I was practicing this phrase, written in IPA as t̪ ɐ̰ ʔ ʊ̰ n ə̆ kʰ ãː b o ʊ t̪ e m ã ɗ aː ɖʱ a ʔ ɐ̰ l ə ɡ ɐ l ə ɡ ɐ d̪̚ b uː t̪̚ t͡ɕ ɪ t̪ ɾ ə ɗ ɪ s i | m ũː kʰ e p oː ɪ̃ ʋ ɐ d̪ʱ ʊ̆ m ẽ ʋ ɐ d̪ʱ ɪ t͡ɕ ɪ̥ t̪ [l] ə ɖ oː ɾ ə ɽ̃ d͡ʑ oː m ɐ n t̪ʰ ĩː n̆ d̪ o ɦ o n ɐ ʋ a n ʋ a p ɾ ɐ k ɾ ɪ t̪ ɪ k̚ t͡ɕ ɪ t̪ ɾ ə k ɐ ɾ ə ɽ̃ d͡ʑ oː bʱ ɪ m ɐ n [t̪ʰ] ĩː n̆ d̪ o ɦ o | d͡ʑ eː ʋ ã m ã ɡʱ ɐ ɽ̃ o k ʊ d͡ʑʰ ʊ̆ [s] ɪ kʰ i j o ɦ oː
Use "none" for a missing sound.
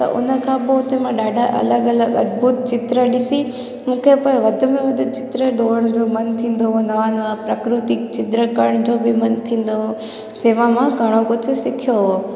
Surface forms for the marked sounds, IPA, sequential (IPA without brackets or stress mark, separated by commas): ɾ, t̪ʰ, s